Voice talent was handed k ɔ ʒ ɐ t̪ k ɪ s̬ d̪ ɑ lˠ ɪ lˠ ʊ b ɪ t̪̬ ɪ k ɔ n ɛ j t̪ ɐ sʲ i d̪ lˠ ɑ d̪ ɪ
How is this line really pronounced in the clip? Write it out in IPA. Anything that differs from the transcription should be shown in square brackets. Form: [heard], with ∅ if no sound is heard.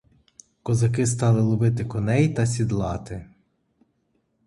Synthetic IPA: k ɔ [z] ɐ [∅] k ɪ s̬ [t̪] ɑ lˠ ɪ lˠ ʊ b ɪ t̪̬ ɪ k ɔ n ɛ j t̪ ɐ sʲ i d̪ lˠ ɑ [t̪] ɪ